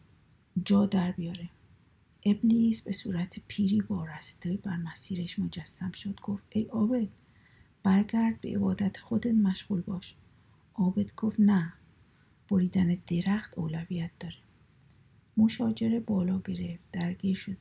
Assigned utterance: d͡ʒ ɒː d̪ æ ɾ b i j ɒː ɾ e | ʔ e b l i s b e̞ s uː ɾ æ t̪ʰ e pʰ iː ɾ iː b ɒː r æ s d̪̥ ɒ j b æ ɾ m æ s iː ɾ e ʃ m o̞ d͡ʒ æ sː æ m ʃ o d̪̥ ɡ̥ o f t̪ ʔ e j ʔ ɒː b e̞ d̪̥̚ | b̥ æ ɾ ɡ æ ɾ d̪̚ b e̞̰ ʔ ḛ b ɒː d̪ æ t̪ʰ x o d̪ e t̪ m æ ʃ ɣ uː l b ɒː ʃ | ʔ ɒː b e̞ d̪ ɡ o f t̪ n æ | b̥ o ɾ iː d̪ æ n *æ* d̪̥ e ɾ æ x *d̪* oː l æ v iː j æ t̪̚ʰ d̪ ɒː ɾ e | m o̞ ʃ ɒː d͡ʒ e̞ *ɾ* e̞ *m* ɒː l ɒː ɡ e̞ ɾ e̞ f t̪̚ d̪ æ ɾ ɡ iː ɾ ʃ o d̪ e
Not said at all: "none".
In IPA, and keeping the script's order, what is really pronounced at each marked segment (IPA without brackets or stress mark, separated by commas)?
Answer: e, t̪, ɾ, b